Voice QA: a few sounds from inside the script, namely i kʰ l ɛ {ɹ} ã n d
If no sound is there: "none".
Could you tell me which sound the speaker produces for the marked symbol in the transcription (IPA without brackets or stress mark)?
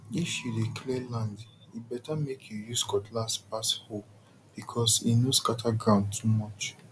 l